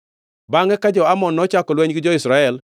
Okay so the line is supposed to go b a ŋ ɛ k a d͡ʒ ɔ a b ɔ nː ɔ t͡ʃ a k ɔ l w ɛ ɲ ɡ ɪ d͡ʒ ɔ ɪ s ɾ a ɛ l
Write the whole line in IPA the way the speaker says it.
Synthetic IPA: b a ŋ ɛ k a d͡ʒ ɔ a m ɔ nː ɔ t͡ʃ a k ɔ l w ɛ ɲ ɡ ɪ d͡ʒ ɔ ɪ s ɾ a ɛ l